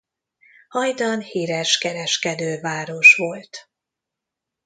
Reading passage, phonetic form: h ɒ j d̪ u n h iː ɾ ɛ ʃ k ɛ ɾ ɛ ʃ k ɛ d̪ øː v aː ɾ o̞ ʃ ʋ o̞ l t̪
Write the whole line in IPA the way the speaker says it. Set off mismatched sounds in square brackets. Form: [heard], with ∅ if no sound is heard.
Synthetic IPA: h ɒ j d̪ [ɒ] n h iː ɾ ɛ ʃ k ɛ ɾ ɛ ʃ k ɛ d̪ øː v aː ɾ o̞ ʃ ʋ o̞ l t̪